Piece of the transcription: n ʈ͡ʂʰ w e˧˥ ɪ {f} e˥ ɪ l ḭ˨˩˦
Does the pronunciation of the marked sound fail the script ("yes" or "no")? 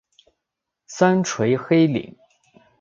yes